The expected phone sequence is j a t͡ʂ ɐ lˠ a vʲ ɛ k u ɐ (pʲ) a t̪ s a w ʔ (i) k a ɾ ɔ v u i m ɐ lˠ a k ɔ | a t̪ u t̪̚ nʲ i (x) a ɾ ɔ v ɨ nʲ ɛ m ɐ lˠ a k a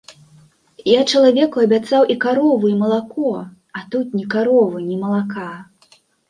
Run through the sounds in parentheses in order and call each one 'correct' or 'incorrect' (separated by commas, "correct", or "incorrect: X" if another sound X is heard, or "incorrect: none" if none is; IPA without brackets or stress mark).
incorrect: bʲ, correct, incorrect: k